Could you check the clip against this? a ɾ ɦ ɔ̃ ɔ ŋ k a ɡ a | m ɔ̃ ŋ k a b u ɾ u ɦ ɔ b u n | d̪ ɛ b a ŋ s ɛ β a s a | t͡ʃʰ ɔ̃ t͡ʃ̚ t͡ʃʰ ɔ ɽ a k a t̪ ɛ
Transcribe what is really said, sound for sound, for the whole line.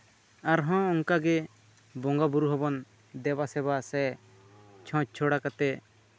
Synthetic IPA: a ɾ ɦ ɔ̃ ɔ ŋ k a ɡ ɛ | b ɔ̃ ŋ ɡ a b u ɾ u ɦ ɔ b ɔ n | d̪ ɛ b a s ɛ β a s ɛ | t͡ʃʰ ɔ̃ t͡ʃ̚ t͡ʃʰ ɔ ɽ a k a t̪ ɛ